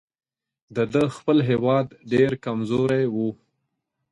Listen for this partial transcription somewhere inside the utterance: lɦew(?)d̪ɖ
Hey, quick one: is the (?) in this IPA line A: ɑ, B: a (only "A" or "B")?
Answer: A